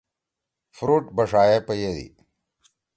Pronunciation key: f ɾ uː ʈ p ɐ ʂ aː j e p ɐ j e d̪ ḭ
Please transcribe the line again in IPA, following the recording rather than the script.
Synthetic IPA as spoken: f ɾ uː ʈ b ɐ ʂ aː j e p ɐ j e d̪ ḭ